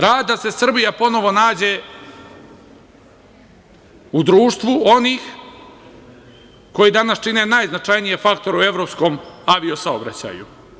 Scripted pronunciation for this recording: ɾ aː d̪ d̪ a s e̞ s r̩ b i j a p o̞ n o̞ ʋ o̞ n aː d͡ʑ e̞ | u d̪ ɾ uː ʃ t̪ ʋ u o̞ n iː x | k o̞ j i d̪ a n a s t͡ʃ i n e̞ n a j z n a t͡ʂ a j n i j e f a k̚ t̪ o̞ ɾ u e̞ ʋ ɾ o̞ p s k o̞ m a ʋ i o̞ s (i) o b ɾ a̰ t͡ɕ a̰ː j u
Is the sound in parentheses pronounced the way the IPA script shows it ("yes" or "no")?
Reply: no